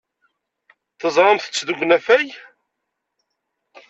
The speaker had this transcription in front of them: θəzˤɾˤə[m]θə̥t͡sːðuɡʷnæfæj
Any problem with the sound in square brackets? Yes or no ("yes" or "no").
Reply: no